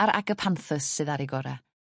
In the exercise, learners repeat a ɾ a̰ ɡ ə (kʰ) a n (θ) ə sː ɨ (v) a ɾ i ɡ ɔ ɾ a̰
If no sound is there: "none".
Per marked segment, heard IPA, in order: pʰ, θ, ð

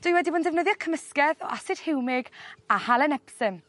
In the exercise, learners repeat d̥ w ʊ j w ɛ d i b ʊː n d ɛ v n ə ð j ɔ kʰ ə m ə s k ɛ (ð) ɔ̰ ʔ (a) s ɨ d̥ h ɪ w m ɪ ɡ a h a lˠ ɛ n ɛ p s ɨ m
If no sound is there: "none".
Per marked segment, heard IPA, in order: ð, a

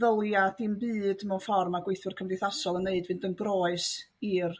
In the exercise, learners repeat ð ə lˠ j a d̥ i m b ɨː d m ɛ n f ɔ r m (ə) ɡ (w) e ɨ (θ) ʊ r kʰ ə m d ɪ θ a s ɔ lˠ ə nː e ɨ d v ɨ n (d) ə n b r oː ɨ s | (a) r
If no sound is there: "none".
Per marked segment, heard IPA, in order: a, w, θ, d, i

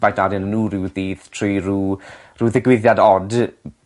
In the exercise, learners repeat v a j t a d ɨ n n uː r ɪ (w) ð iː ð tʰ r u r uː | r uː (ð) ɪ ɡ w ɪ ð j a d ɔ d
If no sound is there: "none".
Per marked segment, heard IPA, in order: w, ð

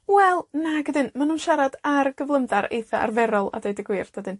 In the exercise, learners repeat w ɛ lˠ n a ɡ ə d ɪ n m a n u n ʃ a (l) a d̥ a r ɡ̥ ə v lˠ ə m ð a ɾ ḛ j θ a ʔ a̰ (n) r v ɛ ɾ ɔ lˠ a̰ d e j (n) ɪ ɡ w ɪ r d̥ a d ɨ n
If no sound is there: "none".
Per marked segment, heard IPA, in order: ɾ, none, d

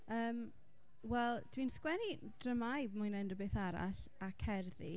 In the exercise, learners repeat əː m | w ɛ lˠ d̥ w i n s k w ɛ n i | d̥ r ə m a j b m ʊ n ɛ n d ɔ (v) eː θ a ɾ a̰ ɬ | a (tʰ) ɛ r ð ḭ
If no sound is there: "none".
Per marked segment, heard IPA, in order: b, kʰ

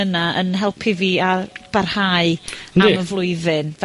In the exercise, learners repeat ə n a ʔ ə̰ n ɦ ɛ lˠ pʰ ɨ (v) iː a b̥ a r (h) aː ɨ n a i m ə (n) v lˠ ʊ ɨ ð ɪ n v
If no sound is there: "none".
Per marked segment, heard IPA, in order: v, h, none

